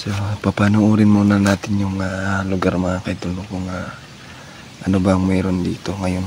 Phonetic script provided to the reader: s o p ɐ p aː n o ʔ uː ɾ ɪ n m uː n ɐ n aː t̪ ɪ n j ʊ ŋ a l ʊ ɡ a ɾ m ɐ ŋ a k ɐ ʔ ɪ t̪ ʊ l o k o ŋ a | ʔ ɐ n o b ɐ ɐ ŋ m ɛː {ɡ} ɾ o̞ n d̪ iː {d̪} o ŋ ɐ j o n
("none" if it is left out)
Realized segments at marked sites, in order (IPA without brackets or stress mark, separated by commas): none, t̪